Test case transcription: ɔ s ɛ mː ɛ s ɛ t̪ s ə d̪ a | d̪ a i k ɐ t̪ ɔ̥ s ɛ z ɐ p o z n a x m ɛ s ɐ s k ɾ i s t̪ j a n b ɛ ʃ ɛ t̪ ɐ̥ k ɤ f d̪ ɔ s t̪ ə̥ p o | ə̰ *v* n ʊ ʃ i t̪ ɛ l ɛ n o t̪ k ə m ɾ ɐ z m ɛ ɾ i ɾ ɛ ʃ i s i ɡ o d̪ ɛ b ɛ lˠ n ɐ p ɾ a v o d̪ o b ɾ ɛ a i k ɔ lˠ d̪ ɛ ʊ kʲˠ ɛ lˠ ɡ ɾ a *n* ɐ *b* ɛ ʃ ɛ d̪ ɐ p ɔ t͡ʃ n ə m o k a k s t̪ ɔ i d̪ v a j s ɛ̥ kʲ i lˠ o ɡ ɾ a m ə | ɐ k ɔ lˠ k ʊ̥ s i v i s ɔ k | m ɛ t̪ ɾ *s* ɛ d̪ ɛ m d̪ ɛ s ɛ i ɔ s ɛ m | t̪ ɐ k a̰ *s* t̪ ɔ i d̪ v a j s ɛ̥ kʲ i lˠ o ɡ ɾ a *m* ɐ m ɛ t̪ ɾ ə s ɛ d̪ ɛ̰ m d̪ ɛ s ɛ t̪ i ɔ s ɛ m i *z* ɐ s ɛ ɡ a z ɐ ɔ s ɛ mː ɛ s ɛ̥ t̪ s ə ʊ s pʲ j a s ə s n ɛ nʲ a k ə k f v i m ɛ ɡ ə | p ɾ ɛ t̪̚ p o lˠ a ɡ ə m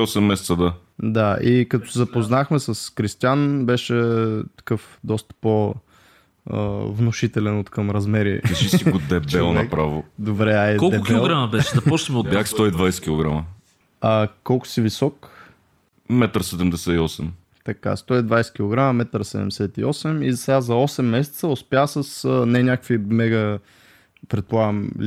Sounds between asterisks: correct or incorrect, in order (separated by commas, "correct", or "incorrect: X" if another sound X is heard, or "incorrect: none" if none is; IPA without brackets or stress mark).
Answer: correct, incorrect: m, correct, correct, correct, correct, correct